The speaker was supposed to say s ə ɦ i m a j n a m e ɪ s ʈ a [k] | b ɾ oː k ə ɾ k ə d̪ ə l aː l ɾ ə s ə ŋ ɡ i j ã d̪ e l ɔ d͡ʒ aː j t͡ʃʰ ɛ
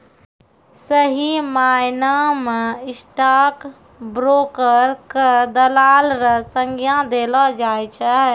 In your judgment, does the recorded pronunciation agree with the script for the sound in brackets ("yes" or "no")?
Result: yes